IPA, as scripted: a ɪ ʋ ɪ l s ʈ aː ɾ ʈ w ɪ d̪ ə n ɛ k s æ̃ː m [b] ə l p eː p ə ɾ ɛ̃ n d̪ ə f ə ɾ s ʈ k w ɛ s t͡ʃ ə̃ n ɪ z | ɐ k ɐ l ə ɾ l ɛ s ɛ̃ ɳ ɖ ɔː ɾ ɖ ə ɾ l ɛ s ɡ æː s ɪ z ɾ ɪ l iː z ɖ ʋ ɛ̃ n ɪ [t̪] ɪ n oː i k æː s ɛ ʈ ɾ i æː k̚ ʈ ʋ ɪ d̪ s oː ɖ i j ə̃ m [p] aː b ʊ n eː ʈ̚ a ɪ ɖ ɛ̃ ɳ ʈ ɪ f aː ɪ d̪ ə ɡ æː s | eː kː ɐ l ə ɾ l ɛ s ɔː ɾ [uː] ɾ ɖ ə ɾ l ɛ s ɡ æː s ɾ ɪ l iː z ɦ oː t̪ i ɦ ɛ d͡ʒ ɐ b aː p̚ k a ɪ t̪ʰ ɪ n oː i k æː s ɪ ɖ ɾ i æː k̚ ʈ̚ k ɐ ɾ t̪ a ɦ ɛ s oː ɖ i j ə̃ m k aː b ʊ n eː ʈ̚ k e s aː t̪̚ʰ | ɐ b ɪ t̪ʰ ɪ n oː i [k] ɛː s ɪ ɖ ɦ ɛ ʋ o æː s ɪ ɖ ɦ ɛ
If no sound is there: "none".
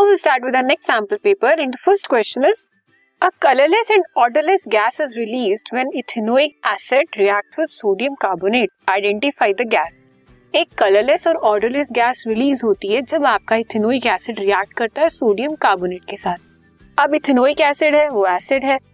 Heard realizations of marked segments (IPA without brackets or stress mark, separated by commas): p, t̪ʰ, k, ɔː, k